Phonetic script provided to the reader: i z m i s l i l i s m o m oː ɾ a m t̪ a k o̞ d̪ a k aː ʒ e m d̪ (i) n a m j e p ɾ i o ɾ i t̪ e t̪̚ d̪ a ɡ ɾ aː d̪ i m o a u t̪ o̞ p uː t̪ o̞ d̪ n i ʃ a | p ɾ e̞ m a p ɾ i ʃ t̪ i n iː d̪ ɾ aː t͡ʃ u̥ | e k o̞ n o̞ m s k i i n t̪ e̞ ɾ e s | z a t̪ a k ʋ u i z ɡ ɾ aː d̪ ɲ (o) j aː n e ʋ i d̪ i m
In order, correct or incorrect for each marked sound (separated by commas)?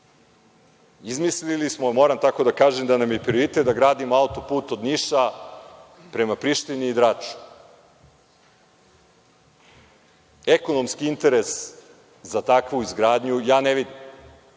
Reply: incorrect, incorrect